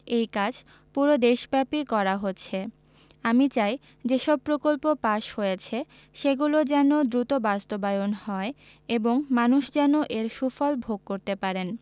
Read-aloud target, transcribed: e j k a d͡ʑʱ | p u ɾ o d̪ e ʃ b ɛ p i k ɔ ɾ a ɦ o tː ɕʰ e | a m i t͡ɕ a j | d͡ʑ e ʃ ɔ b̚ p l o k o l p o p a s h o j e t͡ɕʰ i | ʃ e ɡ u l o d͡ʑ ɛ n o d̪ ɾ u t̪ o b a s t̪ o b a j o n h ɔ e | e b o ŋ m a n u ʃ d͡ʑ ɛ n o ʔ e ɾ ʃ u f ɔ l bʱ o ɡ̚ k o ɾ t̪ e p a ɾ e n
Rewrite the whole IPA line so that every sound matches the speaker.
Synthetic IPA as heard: e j k a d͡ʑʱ | p u ɾ o d̪ e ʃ b ɛ p i k ɔ ɾ a ɦ o tː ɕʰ e | a m i t͡ɕ a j | d͡ʑ e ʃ ɔ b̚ p ɾ o k o l p o p a ʃ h o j e t͡ɕʰ e | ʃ e ɡ u l o d͡ʑ ɛ n o d̪ ɾ u t̪ o b a s t̪ o b a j o n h ɔ e | e b o ŋ m a n u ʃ d͡ʑ ɛ n o ʔ e ɾ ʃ u f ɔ l bʱ o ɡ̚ k o ɾ t̪ e p a ɾ e n